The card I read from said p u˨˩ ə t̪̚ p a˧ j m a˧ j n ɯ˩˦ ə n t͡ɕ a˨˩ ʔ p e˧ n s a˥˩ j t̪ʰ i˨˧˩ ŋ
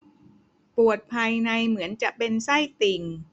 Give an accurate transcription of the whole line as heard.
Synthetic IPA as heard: p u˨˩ ə t̪̚ pʰ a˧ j n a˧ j m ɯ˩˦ ə n t͡ɕ a˨˩ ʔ p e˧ n s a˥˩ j t̪ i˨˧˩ ŋ